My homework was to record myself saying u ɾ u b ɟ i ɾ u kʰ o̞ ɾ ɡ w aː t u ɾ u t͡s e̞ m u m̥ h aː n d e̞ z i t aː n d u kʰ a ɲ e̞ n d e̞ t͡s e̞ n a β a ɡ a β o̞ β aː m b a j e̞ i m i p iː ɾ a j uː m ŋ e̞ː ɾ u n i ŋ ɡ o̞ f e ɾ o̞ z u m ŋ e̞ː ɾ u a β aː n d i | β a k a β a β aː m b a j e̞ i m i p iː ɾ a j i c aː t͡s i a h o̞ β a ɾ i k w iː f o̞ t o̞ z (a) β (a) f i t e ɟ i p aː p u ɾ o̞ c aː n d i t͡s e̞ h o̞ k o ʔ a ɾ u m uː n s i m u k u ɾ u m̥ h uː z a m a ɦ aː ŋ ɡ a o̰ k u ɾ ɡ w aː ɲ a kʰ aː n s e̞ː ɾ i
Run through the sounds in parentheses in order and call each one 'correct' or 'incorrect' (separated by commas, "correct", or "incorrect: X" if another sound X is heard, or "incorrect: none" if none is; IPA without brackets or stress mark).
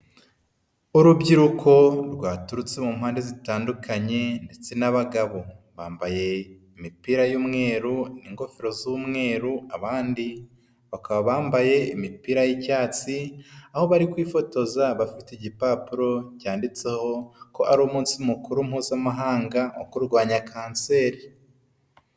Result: correct, correct